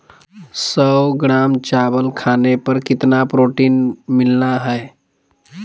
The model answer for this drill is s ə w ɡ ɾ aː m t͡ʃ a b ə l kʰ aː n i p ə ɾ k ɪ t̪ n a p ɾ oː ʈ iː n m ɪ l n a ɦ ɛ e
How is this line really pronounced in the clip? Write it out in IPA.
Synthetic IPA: s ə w ɡ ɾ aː m t͡ʃ a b ə l kʰ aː n e p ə ɾ k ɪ t̪ n a p ɾ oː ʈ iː n m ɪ l n a ɦ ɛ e